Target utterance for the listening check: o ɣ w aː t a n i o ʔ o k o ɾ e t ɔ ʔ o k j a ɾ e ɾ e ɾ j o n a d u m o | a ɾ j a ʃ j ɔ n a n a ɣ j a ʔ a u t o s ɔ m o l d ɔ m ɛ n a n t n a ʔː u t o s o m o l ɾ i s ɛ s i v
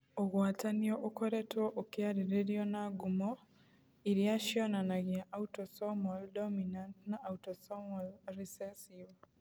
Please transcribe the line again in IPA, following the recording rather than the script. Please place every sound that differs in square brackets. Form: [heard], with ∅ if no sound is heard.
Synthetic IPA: o ɣ w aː t a n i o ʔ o k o ɾ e t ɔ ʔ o k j a ɾ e ɾ e ɾ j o n a [ɡ] u m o | [i] ɾ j a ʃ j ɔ n a n a ɣ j a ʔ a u t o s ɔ m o l d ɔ m [i] n a n t n a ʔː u t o s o m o l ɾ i s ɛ s i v

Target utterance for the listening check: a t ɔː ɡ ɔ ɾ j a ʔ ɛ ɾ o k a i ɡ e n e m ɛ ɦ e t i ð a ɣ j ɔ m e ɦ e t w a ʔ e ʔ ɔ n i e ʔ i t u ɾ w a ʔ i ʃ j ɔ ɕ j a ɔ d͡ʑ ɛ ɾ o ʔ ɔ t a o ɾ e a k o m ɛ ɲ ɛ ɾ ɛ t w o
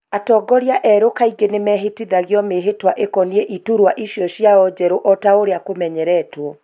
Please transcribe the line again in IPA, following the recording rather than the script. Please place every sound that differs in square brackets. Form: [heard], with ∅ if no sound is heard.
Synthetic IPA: a t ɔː ɡ ɔ ɾ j a ʔ ɛ ɾ o k a i ɡ e n e m ɛ ɦ e t i ð a ɣ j ɔ m e ɦ e t w a ʔ e [k] ɔ n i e ʔ i t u ɾ w a ʔ i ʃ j ɔ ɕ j a ɔ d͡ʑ ɛ ɾ o ʔ ɔ t a o ɾ e a k o m ɛ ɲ ɛ ɾ ɛ t w [ɔ]

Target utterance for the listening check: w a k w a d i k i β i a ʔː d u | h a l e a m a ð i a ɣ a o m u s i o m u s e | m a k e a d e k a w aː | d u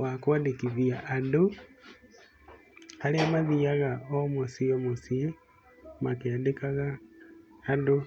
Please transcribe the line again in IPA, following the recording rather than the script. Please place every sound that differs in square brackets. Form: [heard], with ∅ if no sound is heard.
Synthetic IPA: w a k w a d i k i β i a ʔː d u | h a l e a m a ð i a ɣ a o m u s i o m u s [i] | m a k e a d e k a [ɣ] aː | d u

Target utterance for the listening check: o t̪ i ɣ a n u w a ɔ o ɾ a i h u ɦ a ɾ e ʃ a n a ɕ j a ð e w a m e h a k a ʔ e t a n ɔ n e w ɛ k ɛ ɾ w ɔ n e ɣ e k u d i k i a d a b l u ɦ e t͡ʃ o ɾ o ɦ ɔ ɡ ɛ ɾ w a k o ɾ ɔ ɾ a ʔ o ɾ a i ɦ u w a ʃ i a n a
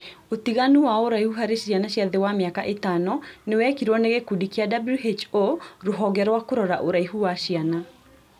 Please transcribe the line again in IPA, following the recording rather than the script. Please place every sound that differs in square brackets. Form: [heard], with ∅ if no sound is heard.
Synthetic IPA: o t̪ i ɣ a n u w a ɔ o ɾ a i h u ɦ a ɾ e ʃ a n a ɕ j a ð e w a m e [∅] a k a ʔ e t a n ɔ n e w ɛ k [i] ɾ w ɔ n e ɣ e k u d i k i a d a b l u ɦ e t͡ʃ o ɾ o ɦ ɔ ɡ ɛ ɾ w a k o ɾ ɔ ɾ a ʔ o ɾ a i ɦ u w a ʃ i a n a

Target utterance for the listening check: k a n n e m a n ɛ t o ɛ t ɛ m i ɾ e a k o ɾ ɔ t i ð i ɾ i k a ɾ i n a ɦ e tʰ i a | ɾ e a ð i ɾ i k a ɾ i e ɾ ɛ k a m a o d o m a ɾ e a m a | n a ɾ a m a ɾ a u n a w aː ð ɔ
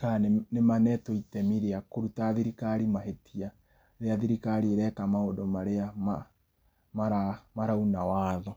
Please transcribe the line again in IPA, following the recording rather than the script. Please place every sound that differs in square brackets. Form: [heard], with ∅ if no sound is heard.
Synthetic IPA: k a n n e m a n ɛ t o [i] t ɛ m i ɾ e a k o ɾ [u] t [a] ð i ɾ i k a ɾ i [m] a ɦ e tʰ i a | ɾ e a ð i ɾ i k a ɾ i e ɾ ɛ k a m a o d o m a ɾ e a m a | [m] a ɾ a m a ɾ a u n a w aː ð ɔ

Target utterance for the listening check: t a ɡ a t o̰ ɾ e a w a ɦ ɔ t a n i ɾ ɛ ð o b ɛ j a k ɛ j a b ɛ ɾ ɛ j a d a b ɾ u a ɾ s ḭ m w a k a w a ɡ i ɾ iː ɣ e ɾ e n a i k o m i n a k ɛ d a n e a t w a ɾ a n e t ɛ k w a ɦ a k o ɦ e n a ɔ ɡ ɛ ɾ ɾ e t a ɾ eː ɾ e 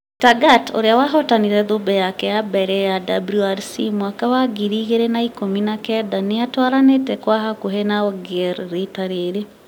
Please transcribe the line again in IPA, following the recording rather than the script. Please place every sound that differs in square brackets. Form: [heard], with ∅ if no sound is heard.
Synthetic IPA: t a ɡ a t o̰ ɾ e a w a ɦ ɔ t a n i ɾ ɛ ð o b ɛ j a k ɛ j a b ɛ ɾ ɛ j a d a b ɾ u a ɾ s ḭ m w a k a w a ɡ i ɾ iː ɣ e ɾ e n a i k o m i n a k ɛ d a n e a t w a ɾ a n e t ɛ k w a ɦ a k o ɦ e n a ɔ ɡ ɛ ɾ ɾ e t a ɾ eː ɾ e

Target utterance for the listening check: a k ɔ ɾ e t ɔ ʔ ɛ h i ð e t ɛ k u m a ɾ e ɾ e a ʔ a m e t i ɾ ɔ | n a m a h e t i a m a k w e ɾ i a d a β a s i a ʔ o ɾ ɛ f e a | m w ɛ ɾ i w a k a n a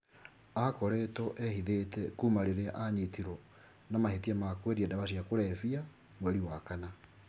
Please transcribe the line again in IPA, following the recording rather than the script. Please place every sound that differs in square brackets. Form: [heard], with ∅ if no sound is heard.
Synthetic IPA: a k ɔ ɾ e t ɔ ʔ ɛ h i ð e t ɛ k u m a ɾ e ɾ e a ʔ a [ɲ] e t i ɾ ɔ | n a m a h e t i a m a k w e ɾ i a d a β a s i a [k] o ɾ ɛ f [i] a | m w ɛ ɾ i w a k a n a

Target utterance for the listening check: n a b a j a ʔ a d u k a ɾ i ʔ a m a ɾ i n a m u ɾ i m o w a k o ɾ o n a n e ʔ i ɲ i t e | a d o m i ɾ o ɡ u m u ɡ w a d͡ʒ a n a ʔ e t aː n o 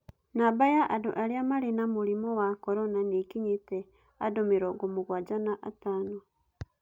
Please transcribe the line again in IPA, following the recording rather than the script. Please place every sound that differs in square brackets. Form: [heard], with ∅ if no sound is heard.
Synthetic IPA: n a b a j a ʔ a d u [ʔ] a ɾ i [∅] a m a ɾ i n a m u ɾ i m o w a k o ɾ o n a n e [k] i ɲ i t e | a d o m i ɾ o ɡ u m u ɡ w a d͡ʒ a n a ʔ [a] t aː n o

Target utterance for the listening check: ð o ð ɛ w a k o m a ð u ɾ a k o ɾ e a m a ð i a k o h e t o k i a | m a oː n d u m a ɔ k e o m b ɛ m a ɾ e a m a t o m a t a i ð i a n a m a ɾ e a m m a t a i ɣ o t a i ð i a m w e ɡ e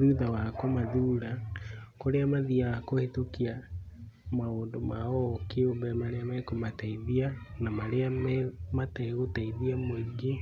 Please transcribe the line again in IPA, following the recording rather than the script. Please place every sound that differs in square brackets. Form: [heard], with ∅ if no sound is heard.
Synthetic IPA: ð [u] ð [a] w a k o m a ð u ɾ a k o ɾ e a m a ð i a k o h e t o k i a | m a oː n d [o] m a ɔ k e o m b ɛ m a ɾ e a m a [k] o m a t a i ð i a n a m a ɾ e a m m a t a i ɣ o t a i ð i a m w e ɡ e

